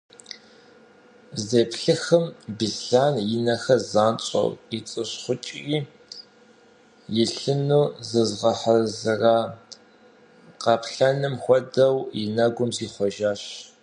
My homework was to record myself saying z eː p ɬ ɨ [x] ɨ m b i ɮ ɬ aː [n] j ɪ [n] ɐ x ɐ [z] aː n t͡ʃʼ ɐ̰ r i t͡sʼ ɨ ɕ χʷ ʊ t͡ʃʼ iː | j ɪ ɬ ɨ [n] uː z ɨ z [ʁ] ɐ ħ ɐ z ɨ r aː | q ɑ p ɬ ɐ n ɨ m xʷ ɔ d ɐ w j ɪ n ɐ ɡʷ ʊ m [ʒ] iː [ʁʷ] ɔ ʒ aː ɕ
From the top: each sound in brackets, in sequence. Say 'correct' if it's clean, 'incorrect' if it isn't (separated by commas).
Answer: correct, correct, correct, correct, correct, correct, incorrect, incorrect